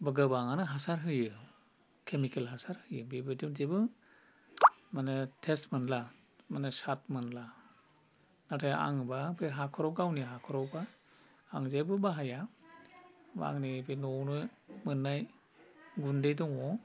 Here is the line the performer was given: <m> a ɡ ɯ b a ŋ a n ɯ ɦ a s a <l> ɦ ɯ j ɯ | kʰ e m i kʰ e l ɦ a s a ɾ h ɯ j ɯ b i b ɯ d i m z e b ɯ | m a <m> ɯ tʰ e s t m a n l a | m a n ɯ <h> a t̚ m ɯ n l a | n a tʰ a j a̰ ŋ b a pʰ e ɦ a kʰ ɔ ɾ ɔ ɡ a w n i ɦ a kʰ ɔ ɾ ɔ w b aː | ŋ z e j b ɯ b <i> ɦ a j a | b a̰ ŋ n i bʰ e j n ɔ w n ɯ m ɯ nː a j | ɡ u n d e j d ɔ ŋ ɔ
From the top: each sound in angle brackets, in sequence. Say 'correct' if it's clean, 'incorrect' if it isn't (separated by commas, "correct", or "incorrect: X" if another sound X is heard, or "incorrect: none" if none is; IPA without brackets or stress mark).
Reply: incorrect: b, incorrect: ɾ, incorrect: n, incorrect: s, incorrect: a